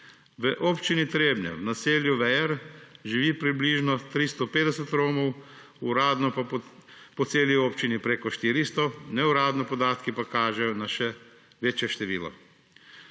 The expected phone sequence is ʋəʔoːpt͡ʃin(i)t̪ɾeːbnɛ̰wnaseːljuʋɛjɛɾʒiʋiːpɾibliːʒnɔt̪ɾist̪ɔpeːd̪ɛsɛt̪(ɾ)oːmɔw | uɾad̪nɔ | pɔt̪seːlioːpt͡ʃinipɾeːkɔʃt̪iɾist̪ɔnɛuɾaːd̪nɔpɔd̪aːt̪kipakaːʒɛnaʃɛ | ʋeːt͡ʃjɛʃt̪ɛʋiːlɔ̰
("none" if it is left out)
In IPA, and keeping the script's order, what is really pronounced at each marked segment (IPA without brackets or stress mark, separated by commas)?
i, ɾ